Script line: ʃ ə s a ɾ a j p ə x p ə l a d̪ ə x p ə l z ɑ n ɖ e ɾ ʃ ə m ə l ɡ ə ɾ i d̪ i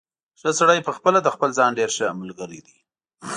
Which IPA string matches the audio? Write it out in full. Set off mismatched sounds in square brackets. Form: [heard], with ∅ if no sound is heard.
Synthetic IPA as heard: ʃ ə s a [ɽ] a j p ə x p ə l a d̪ ə x p ə l z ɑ n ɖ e ɾ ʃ ə m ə l ɡ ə ɾ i d̪ i